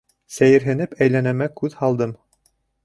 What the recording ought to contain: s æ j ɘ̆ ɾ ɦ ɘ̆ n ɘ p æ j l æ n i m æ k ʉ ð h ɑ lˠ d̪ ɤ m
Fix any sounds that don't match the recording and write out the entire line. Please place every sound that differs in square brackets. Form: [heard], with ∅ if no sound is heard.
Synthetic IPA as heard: s æ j ɘ̆ ɾ ɦ ɘ̆ n ɘ p æ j l æ n [æ] m æ k ʉ ð h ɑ lˠ d̪ ɤ m